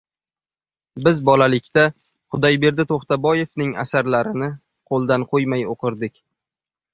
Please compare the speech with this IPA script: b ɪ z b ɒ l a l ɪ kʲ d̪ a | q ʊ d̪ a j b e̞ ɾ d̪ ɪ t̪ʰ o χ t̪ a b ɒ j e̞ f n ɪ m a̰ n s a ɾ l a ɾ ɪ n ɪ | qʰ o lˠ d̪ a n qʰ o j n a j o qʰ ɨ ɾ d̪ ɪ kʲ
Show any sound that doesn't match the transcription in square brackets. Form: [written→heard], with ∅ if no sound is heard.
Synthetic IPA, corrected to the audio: b ɪ z b ɒ l a l ɪ kʲ [d̪→t̪] a | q ʊ d̪ a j b e̞ ɾ d̪ ɪ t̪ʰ o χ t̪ a b ɒ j e̞ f n ɪ [m→ŋ] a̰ [n→∅] s a ɾ l a ɾ ɪ n ɪ | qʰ o lˠ d̪ a n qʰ o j [n→m] a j o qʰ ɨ ɾ d̪ ɪ kʲ